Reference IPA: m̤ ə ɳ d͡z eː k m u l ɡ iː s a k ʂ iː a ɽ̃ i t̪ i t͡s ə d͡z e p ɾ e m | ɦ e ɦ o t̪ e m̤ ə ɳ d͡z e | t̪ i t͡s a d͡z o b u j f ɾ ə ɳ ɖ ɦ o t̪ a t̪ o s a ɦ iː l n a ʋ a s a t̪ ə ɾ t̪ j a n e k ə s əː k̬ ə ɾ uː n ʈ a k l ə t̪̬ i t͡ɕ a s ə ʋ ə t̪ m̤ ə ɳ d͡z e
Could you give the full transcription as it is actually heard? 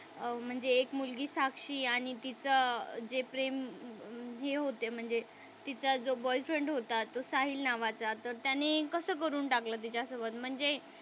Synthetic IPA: m̤ ə ɳ d͡z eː k m u l ɡ iː s a k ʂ iː a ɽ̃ i t̪ i t͡s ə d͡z e p ɾ e m | ɦ e ɦ o t̪ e m̤ ə ɳ d͡z e | t̪ i t͡s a d͡z o b ɔ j f ɾ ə ɳ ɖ ɦ o t̪ a t̪ o s a ɦ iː l n a ʋ a t͡s a t̪ ə ɾ t̪ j a n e k ə s əː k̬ ə ɾ uː n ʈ a k l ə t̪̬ i t͡ɕ a s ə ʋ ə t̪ m̤ ə ɳ d͡z e

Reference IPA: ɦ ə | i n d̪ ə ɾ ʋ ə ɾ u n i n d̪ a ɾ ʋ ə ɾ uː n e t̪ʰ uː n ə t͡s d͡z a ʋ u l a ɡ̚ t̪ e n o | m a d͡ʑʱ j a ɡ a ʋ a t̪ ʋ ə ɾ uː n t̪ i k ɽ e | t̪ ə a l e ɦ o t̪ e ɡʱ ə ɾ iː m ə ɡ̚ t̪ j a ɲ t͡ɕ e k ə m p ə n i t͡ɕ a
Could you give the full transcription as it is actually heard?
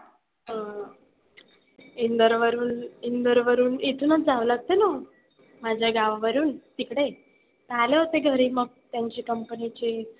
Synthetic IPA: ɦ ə | i n d̪ ə ɾ ʋ ə ɾ uː n i n d̪ ə ɾ ʋ ə ɾ uː n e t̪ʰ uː n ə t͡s d͡z a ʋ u l a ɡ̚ t̪ e n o | m a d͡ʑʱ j a ɡ a ʋ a ʋ ə ɾ uː n t̪ i k ɽ e | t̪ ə a l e ɦ o t̪ e ɡʱ ə ɾ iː m ə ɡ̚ t̪ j a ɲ t͡ɕ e k ə m p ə n i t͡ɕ e

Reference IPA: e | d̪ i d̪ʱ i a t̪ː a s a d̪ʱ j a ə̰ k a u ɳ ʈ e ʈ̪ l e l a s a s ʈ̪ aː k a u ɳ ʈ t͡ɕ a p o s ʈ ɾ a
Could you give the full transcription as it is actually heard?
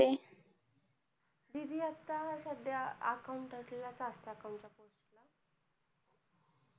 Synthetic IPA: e | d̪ i d̪ʱ i a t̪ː a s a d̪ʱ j a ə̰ k a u ɳ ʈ a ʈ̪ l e l a t͡s a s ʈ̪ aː k a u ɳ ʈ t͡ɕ a p o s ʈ l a

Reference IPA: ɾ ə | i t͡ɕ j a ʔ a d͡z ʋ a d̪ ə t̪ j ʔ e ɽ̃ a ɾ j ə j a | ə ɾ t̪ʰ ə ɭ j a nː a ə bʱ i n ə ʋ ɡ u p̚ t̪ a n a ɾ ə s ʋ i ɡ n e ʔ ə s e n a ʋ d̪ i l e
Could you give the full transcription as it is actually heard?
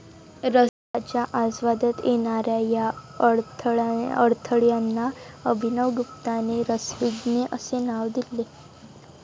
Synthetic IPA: ɾ ə | a t͡ɕ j a ʔ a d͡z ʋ a d̪ ə t̪ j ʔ e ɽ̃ a ɾ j a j a | ə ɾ t̪ʰ ə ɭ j a nː a ə bʱ i n ə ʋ ɡ u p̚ t̪ a n e ɾ ə s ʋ i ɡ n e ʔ ə s e n a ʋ d̪ i l e

